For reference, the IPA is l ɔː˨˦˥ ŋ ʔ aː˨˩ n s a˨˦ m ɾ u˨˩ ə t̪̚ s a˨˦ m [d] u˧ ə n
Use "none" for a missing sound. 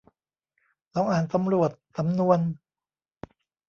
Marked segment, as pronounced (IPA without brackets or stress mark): n